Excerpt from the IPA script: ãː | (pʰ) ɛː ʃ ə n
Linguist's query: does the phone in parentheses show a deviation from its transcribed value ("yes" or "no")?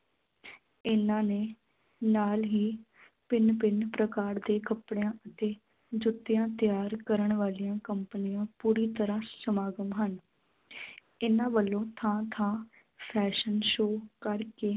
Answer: no